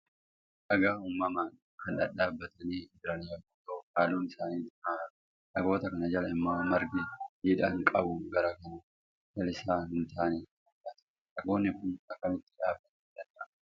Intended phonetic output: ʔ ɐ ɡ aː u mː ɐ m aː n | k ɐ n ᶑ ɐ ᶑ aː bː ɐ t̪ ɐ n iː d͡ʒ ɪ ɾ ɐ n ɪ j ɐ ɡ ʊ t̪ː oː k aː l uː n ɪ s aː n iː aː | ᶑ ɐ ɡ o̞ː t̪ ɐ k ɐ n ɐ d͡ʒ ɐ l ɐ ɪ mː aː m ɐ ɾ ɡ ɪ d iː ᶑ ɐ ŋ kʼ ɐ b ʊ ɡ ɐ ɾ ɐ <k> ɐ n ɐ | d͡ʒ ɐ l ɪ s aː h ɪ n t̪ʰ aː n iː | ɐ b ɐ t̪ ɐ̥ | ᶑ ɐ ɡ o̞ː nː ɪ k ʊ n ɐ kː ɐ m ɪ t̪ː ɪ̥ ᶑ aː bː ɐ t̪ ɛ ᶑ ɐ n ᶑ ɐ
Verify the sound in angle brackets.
correct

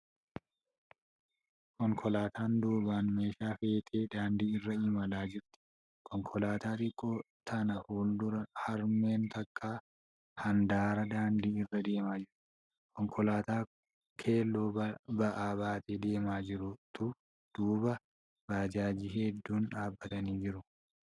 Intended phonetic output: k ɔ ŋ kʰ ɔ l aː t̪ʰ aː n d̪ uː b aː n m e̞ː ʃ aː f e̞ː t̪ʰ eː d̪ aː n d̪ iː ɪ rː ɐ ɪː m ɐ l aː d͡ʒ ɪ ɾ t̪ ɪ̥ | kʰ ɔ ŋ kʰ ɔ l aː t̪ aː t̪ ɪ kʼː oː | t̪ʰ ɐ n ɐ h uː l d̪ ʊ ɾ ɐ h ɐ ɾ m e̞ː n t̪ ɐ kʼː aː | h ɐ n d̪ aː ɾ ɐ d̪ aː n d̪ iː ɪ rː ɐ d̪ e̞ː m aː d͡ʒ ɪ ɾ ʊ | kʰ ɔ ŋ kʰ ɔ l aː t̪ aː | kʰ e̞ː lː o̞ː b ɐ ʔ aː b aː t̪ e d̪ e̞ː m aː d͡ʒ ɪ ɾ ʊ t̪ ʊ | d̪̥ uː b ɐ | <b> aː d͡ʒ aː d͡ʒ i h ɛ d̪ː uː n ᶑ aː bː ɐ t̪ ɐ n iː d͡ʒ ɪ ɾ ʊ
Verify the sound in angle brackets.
correct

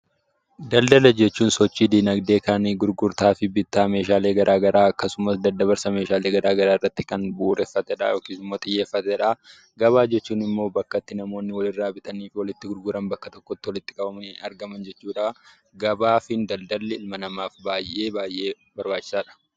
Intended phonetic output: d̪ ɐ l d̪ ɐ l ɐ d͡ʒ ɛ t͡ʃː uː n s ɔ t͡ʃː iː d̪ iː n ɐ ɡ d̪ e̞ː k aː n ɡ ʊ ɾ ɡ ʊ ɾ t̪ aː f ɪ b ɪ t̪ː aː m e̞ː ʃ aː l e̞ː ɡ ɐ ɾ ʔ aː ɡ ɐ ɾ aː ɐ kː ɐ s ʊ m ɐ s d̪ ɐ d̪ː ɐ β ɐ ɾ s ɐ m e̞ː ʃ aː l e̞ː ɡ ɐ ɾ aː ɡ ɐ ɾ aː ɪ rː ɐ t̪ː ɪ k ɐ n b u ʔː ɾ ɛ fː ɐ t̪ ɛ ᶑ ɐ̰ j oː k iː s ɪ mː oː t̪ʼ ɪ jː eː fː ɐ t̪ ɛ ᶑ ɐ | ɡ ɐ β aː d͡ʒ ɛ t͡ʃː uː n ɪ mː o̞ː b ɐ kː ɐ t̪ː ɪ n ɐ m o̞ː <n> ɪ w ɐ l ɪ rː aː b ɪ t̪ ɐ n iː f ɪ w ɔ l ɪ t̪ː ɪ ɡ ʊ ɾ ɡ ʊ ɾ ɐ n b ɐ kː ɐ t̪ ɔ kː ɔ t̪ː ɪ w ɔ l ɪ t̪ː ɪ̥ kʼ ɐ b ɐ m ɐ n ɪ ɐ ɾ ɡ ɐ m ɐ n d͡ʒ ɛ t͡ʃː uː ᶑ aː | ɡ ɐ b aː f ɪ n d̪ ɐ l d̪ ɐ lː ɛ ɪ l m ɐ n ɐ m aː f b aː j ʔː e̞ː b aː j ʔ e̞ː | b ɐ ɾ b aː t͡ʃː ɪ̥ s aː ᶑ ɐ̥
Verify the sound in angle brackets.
incorrect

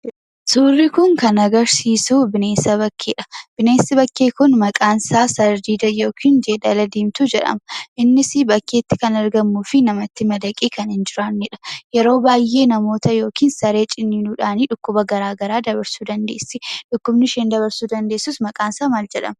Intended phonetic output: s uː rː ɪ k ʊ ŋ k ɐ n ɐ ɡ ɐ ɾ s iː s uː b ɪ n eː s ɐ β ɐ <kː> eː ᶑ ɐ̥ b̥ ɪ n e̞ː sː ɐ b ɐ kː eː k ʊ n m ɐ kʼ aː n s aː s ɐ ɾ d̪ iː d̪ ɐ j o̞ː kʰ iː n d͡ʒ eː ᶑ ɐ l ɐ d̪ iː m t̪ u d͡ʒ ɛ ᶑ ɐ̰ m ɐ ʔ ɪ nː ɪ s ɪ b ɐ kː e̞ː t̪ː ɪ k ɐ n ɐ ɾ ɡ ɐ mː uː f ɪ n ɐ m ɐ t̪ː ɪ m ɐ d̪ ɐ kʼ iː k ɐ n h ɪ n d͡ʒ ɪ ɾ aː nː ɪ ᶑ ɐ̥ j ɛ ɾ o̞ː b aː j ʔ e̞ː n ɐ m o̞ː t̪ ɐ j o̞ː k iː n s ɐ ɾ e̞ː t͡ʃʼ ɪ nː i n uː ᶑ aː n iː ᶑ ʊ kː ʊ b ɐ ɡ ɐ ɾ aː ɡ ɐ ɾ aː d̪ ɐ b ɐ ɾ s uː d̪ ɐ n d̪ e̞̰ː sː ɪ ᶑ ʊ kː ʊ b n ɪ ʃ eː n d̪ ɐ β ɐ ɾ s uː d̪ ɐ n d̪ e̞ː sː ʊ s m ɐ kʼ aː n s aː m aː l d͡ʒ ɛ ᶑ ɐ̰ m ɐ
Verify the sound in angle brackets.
correct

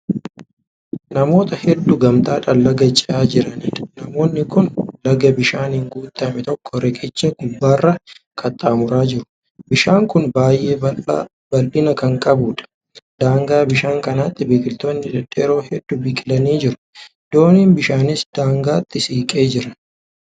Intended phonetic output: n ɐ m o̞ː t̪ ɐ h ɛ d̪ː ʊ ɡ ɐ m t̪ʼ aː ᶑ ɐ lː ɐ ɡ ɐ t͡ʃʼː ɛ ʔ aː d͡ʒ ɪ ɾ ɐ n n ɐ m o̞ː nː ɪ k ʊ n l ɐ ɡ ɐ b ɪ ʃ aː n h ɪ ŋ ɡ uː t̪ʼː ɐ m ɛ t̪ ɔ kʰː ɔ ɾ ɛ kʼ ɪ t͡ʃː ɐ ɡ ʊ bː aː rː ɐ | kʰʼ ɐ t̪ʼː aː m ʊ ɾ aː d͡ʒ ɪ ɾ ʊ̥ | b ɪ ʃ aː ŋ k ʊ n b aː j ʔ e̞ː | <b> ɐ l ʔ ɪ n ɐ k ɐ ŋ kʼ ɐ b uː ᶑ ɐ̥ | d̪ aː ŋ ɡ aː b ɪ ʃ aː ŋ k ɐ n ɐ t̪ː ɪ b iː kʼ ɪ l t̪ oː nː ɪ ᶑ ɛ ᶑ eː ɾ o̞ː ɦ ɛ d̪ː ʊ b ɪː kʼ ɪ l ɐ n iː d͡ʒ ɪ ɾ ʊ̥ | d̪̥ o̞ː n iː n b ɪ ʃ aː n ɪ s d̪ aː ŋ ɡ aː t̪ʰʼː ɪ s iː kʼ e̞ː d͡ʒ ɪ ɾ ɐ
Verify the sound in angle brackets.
correct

